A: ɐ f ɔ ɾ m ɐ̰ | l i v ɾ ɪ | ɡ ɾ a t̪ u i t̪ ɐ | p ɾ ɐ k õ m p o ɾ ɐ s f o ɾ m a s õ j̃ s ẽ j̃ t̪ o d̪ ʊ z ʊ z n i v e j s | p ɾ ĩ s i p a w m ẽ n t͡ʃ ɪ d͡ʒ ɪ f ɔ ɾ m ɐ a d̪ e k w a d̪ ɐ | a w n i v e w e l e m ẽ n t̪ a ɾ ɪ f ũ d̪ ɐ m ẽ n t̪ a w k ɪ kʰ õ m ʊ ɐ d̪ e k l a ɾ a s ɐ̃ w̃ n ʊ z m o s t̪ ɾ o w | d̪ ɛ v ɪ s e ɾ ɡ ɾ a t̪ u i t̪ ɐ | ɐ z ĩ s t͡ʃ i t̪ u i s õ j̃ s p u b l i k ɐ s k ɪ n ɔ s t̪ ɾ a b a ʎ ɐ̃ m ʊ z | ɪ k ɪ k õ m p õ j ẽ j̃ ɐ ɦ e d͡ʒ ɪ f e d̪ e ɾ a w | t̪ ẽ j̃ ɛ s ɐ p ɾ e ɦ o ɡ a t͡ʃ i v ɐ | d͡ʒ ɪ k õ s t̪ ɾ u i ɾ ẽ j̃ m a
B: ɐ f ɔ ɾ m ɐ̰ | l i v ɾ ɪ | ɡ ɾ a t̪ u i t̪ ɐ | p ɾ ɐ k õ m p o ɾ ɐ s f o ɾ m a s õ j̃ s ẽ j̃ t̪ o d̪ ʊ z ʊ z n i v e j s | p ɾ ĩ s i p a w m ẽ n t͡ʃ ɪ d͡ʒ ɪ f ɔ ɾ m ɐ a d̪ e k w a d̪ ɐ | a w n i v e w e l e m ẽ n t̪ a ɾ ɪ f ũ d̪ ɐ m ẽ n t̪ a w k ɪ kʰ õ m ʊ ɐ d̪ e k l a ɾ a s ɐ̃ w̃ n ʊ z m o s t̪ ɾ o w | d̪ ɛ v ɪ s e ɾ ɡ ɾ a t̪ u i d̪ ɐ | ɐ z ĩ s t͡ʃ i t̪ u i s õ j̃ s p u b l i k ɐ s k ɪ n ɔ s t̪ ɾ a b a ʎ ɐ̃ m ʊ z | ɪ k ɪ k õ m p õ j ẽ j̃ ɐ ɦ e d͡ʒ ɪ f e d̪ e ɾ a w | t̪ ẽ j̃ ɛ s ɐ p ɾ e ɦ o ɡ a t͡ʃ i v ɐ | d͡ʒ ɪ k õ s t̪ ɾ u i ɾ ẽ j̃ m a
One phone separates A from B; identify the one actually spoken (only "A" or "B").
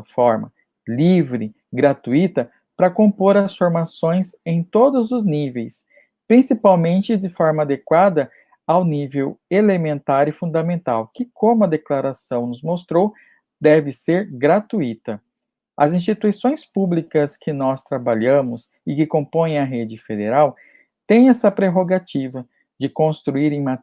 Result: A